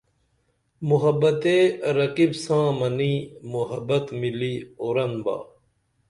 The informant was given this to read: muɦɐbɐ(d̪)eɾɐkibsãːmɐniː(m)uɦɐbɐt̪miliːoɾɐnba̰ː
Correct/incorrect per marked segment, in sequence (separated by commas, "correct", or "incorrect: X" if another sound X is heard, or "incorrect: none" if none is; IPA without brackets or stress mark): incorrect: t̪, correct